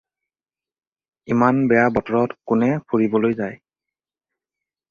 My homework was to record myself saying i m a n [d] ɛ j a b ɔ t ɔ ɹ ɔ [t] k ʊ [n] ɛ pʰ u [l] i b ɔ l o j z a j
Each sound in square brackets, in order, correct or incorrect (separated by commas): incorrect, correct, correct, incorrect